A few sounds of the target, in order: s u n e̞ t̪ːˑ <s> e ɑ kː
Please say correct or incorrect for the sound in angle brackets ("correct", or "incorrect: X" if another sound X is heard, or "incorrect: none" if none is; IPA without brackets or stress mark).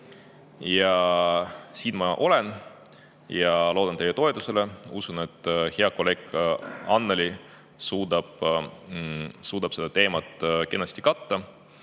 incorrect: h